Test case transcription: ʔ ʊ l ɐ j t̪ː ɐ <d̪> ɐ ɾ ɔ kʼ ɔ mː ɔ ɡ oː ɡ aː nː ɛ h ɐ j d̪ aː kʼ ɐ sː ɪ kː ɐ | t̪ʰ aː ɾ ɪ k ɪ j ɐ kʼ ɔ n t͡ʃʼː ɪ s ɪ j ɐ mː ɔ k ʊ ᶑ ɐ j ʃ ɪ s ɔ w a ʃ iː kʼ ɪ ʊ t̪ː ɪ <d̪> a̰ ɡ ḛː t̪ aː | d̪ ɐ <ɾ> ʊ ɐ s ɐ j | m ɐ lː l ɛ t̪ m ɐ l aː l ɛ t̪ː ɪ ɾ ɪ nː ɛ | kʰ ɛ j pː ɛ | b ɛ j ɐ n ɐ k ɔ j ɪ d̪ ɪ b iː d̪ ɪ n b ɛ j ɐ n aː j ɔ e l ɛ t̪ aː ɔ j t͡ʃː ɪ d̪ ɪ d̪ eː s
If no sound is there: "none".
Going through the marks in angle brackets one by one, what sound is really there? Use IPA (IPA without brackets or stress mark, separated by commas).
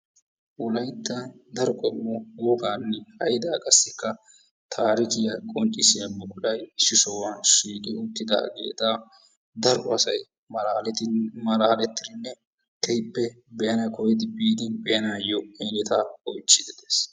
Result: d̪, d̪, ɾ